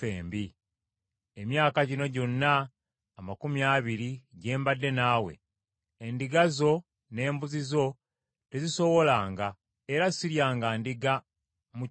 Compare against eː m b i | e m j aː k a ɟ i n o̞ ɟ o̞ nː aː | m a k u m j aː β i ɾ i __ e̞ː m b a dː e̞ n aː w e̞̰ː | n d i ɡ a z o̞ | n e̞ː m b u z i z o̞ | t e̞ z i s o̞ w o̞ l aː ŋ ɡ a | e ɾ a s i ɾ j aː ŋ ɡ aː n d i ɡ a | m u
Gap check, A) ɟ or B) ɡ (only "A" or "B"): A